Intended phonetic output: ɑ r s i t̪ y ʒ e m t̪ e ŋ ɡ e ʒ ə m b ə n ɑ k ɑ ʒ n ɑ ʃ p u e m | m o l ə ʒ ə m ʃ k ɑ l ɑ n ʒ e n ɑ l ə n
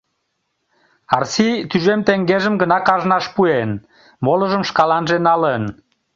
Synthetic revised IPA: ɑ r s i t̪ y ʒ e m t̪ e ŋ ɡ e ʒ ə m ɡ ə n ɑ k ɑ ʒ n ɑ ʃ p u e n | m o l ə ʒ ə m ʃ k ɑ l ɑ n ʒ e n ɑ l ə n